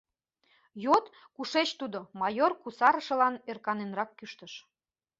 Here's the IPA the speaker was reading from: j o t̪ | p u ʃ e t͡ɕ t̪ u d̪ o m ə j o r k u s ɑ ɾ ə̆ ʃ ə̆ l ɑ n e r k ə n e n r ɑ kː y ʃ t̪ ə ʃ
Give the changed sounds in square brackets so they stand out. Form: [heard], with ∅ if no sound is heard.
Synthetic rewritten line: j o t̪ | [k] u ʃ e t͡ɕ t̪ u d̪ o m [ɑ] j o r k u s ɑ ɾ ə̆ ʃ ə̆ l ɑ n e r k [ɑ] n e n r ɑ kː y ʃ t̪ ə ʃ